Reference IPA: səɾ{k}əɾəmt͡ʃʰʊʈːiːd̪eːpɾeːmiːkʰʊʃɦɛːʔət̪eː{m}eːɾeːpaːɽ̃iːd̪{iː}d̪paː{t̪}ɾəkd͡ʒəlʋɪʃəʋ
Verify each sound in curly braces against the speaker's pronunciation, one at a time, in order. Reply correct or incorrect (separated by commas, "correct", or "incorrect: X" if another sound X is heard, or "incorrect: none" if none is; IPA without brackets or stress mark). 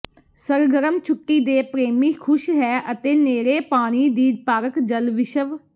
incorrect: ɡ, incorrect: n, correct, incorrect: none